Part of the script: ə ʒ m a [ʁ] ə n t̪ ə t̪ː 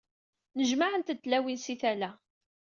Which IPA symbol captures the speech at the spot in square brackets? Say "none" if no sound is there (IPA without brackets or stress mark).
ʕ